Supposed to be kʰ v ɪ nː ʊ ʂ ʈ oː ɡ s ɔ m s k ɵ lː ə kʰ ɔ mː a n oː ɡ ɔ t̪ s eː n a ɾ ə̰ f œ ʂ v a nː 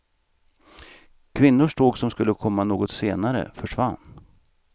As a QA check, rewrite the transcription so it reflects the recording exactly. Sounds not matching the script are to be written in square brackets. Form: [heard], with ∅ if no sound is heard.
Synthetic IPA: kʰ v ɪ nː ʊ ʂ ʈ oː ɡ s ɔ m s k ɵ lː ə kʰ ɔ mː a n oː ɡ ɔ t̪ s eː n a ɾ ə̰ f œ ʂ v a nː